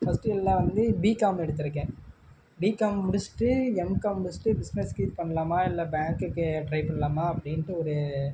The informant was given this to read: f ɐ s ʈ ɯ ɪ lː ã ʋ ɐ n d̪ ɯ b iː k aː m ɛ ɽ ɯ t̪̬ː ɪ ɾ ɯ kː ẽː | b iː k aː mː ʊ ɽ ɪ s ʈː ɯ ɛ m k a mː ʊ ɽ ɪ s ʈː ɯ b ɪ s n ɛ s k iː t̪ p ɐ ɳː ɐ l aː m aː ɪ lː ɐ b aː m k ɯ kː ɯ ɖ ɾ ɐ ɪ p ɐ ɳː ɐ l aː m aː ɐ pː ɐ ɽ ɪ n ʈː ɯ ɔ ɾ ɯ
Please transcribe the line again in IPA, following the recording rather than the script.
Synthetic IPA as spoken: f ɐ s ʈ ɯ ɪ lː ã ʋ ɐ n d̪ ɯ b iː k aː m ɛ ɽ ɯ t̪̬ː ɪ ɾ ɯ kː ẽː | b iː k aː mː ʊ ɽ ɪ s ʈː ɯ ɛ m k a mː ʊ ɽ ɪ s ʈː ɯ b ɪ s n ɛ s k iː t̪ p ɐ ɳː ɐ l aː m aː ɪ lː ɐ b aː ŋ k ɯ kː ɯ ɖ ɾ ɐ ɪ p ɐ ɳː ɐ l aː m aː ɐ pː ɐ ɽ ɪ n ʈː ɯ ɔ ɾ ɯ